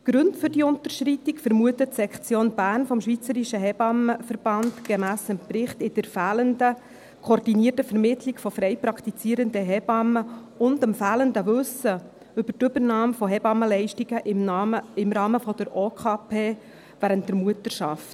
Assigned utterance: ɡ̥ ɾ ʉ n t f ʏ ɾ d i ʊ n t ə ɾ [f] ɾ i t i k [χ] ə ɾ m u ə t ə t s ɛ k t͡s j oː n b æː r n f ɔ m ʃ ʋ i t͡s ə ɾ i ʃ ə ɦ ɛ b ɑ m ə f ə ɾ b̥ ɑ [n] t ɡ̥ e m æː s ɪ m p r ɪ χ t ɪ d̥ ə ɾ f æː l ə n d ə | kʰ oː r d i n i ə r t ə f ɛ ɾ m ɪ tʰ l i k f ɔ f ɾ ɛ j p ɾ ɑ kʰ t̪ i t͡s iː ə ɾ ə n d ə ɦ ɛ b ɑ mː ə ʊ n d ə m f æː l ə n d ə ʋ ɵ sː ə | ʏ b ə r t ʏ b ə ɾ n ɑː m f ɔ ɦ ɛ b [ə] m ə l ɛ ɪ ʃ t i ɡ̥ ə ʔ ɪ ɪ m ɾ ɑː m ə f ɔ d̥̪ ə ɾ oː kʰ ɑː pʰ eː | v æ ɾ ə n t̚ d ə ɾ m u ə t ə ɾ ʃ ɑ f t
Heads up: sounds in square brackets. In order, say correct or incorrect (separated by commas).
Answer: incorrect, incorrect, correct, incorrect